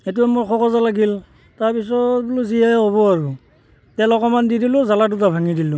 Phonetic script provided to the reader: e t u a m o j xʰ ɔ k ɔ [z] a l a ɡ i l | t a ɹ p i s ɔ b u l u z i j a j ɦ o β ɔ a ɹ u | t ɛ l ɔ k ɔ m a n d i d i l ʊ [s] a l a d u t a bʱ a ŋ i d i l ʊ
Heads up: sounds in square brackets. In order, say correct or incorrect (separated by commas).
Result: correct, incorrect